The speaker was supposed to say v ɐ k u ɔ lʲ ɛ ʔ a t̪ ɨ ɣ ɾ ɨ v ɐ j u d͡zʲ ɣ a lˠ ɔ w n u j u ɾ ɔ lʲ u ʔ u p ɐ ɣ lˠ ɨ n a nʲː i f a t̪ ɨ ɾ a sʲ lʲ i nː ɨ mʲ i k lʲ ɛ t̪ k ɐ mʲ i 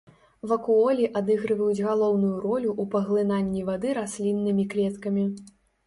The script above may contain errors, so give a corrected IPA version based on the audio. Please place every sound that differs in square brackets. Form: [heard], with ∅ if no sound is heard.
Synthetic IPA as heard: v ɐ k u ɔ lʲ [i] ʔ a [d̪] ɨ ɣ ɾ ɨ v ɐ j u d͡zʲ ɣ a lˠ ɔ w n u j u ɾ ɔ lʲ u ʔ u p ɐ ɣ lˠ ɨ n a nʲː i [v] a [d̪] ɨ ɾ a sʲ lʲ i nː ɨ mʲ i k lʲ ɛ t̪ k ɐ mʲ i